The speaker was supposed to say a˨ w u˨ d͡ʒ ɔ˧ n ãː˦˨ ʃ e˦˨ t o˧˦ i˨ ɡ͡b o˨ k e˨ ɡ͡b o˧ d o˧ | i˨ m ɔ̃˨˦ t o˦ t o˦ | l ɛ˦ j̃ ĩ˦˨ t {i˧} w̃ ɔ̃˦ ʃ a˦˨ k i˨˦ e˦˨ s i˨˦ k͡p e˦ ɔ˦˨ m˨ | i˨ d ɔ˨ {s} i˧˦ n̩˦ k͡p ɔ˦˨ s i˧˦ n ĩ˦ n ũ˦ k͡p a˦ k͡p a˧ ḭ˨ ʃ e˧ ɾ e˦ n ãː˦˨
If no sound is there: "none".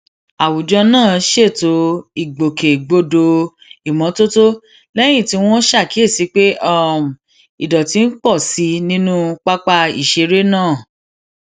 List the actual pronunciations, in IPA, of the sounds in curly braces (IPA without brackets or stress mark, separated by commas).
i˧, t